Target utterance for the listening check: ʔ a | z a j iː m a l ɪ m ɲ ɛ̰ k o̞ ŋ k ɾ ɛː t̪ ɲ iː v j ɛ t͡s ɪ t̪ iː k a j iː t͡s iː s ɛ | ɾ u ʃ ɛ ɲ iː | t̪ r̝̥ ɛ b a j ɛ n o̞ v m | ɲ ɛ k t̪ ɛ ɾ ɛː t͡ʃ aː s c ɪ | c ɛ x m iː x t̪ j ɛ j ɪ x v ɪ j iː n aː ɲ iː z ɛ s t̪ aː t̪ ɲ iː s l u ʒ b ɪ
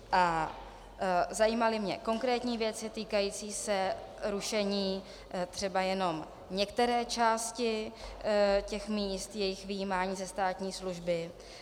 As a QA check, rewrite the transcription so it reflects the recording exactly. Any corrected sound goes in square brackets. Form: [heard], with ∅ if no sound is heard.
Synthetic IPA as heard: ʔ a | z a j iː m a l ɪ m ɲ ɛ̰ k o̞ ŋ k ɾ ɛː t̪ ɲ iː v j ɛ t͡s ɪ t̪ iː k a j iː t͡s iː s ɛ | ɾ u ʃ ɛ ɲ iː | t̪ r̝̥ ɛ b a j ɛ n o̞ [∅] m | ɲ ɛ k t̪ ɛ ɾ ɛː t͡ʃ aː s c ɪ | c ɛ x m iː [s] t̪ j ɛ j ɪ x v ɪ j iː [m] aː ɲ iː z ɛ s t̪ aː t̪ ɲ iː s l u ʒ b ɪ